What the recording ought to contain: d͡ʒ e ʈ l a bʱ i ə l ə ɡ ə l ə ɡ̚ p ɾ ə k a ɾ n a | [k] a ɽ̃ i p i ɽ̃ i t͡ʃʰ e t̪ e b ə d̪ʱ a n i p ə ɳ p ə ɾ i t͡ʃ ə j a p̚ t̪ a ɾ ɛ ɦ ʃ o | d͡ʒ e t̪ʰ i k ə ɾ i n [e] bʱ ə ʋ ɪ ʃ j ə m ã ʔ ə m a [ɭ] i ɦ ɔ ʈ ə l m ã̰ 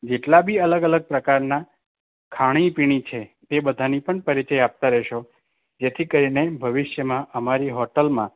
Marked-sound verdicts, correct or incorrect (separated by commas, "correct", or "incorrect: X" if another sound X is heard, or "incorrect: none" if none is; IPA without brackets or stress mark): incorrect: kʰ, correct, incorrect: ɾ